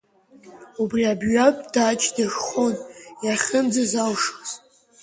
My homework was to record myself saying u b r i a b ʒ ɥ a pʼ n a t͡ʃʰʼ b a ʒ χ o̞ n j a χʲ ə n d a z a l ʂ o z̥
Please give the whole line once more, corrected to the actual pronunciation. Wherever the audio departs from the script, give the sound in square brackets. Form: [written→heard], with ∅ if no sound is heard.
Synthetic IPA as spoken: u b r i a b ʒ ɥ a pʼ [n→d] a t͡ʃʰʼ [b→d] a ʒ χ o̞ n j a χʲ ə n [d→d͡z] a z a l ʂ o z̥